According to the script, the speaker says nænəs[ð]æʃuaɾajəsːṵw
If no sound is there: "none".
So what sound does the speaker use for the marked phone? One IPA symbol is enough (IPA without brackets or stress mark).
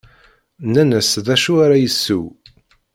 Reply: ð